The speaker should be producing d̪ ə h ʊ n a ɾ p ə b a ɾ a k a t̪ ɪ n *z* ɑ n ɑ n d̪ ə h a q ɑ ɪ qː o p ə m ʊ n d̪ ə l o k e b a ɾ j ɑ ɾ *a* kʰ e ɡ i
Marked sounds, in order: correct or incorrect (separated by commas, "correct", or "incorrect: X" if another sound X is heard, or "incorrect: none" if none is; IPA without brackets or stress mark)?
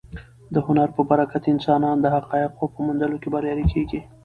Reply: incorrect: s, incorrect: i